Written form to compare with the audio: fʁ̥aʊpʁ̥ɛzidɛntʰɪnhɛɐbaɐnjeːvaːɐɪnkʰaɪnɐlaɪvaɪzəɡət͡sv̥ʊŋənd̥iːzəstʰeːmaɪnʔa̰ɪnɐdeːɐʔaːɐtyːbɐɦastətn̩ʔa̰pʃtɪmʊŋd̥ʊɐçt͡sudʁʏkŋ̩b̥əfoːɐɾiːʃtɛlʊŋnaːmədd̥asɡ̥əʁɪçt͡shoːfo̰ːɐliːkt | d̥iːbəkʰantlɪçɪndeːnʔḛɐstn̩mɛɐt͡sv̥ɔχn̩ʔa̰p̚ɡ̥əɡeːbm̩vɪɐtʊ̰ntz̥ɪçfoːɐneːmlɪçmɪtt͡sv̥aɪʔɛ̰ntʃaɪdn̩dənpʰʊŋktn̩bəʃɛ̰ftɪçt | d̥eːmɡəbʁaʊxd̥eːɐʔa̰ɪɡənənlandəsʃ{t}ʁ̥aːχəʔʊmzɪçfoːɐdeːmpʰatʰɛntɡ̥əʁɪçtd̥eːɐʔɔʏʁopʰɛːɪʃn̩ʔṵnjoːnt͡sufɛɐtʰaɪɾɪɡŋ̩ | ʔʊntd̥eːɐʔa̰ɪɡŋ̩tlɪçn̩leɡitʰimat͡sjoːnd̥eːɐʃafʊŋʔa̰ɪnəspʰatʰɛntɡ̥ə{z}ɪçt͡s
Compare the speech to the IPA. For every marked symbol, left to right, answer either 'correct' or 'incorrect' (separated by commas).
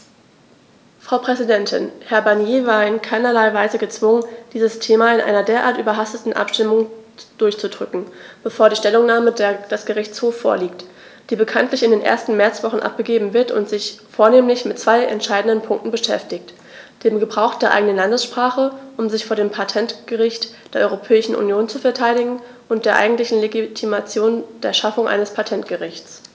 incorrect, incorrect